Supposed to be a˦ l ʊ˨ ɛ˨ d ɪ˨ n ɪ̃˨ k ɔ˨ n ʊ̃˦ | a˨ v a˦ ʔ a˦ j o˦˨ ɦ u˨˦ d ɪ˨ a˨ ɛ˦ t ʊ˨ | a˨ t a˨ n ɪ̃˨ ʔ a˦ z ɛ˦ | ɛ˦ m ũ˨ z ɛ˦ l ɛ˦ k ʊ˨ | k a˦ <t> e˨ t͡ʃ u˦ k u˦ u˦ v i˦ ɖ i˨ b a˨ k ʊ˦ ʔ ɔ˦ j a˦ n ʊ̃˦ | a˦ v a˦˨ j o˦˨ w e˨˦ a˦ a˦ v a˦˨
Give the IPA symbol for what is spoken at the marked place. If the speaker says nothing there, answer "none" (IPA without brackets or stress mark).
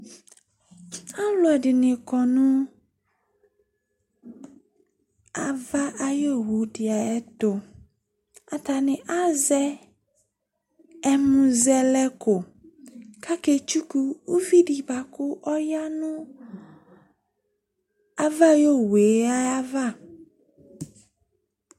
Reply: k